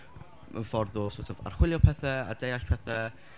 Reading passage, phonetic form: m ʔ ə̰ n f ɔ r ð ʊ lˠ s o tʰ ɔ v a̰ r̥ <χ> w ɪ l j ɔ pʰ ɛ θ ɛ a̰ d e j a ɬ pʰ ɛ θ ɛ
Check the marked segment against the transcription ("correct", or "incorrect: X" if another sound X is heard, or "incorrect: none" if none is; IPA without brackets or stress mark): correct